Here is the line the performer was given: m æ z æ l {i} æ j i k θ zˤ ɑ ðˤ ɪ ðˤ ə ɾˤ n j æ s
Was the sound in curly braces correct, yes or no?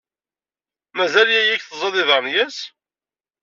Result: no